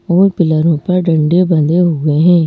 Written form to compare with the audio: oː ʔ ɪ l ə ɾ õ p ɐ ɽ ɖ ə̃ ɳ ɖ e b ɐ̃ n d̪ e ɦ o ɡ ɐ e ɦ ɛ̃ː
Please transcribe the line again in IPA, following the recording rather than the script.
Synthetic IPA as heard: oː p ɪ l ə ɾ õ p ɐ ɾ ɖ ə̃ ɳ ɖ e b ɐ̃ n d̪ e ɦ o ɡ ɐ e ɦ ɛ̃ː